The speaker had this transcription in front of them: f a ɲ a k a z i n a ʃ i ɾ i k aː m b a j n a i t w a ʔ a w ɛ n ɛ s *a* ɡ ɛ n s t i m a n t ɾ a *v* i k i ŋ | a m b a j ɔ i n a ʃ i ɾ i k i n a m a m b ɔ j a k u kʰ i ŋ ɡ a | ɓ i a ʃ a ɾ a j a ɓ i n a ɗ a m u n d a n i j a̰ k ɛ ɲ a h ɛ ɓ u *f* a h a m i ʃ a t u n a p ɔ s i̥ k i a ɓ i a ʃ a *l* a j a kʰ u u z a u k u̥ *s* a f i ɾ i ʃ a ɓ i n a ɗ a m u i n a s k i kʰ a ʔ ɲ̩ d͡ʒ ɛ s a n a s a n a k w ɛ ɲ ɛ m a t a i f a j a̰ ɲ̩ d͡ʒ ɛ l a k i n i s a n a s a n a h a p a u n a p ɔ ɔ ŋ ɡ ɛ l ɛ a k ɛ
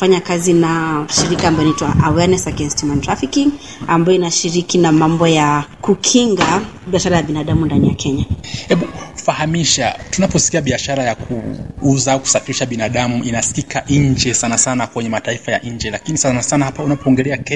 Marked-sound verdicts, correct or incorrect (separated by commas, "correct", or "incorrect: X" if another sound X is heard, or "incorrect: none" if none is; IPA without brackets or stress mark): correct, incorrect: f, correct, incorrect: ɾ, correct